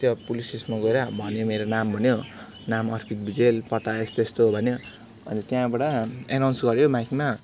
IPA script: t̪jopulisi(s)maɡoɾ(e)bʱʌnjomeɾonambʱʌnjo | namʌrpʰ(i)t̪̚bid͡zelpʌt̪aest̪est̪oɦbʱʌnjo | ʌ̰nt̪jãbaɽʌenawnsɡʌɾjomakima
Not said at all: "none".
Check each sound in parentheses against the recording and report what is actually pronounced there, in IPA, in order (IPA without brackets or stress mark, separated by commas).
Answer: s, a, i